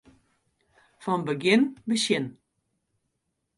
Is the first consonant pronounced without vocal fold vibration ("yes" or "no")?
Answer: yes